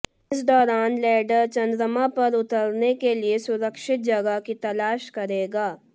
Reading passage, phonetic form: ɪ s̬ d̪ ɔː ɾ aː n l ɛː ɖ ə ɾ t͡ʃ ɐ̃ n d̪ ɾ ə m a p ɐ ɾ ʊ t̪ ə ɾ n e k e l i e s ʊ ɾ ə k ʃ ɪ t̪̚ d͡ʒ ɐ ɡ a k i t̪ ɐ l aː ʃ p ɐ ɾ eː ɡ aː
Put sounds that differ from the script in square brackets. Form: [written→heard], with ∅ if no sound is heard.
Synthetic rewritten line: ɪ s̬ d̪ ɔː ɾ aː n l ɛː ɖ ə ɾ t͡ʃ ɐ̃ n d̪ ɾ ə m a p ɐ ɾ ʊ t̪ ə ɾ n e k e l i e s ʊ ɾ ə k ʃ ɪ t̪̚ d͡ʒ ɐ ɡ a k i t̪ ɐ l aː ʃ [p→k] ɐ ɾ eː ɡ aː